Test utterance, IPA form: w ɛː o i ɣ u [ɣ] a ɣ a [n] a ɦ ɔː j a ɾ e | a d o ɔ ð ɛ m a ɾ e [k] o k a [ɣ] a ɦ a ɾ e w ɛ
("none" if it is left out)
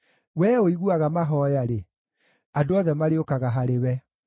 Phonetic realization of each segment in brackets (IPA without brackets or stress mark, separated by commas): none, m, none, ɣ